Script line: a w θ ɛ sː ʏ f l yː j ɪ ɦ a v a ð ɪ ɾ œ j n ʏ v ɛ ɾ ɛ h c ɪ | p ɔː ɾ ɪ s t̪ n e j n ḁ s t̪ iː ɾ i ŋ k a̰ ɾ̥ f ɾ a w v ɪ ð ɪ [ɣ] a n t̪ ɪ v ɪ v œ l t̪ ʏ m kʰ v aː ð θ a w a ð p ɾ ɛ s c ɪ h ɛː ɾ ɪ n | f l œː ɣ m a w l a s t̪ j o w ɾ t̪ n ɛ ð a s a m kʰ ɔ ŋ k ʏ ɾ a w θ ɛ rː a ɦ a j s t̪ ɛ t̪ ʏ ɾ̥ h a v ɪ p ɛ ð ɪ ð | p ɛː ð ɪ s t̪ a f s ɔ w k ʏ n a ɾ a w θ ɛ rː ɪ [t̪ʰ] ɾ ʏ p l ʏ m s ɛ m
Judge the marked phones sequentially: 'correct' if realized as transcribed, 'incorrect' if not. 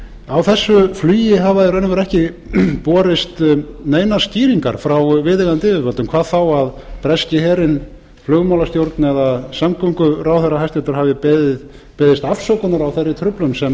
correct, correct

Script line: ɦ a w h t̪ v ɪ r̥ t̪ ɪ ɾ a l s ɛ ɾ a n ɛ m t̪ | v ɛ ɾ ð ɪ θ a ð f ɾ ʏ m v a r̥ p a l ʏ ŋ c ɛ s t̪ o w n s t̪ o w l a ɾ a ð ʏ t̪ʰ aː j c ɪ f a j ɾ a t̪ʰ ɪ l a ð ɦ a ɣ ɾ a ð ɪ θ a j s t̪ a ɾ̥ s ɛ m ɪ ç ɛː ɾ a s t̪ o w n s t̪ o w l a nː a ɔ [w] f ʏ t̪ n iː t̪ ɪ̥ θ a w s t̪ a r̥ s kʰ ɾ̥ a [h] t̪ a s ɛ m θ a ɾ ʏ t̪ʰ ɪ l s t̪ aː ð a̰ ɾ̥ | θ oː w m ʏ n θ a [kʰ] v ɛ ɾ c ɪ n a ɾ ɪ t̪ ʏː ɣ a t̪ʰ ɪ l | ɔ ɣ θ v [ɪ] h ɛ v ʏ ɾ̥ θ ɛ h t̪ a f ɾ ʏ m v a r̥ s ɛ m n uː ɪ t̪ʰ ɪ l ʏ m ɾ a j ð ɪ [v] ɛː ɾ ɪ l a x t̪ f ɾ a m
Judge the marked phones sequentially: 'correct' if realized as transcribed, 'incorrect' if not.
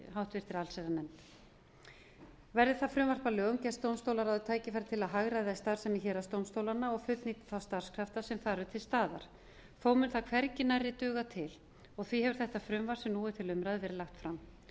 incorrect, incorrect, correct, incorrect, correct

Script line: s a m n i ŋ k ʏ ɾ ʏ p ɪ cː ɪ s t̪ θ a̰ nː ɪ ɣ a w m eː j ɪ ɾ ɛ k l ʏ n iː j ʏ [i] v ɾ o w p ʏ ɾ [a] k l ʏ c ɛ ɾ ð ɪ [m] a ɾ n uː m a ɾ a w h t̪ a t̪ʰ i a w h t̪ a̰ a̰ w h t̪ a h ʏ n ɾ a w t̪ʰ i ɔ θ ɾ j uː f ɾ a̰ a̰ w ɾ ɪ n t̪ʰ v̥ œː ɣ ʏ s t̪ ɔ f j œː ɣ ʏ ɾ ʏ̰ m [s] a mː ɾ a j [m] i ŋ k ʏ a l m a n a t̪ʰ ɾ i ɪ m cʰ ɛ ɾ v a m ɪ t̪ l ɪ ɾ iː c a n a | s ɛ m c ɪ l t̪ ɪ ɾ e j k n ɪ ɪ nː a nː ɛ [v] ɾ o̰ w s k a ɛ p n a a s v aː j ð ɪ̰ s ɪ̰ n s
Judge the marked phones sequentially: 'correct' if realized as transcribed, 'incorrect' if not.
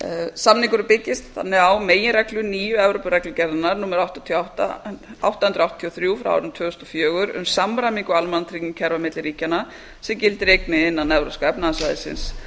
incorrect, incorrect, incorrect, correct, correct, correct

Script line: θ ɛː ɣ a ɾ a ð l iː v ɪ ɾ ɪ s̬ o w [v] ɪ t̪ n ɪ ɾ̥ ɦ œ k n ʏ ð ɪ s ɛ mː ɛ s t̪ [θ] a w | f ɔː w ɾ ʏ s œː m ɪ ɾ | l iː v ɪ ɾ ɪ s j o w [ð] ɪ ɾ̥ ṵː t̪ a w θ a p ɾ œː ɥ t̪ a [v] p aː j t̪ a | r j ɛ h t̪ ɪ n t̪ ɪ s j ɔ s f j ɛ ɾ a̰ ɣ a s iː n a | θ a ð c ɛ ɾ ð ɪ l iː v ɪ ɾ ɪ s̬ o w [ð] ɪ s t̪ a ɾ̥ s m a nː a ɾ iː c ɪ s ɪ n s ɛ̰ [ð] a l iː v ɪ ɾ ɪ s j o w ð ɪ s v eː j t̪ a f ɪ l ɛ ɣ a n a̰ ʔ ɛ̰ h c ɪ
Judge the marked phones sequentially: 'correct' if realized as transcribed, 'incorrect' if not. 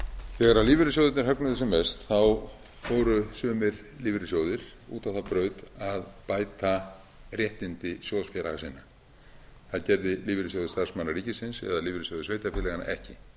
incorrect, correct, correct, incorrect, correct, correct

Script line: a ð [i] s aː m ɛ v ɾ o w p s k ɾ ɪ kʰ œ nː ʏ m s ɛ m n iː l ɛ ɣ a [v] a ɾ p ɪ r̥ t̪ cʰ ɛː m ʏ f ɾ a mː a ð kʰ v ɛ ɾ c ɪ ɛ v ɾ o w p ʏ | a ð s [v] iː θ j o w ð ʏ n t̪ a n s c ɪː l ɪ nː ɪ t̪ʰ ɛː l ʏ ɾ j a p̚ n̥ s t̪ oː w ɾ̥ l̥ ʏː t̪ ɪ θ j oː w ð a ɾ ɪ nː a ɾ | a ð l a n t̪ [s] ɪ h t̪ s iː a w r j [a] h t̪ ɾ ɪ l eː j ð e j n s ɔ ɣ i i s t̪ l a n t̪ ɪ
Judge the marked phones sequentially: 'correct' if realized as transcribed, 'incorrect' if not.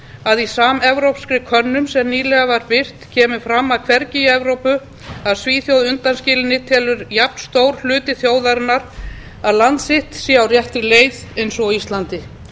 correct, correct, correct, correct, incorrect

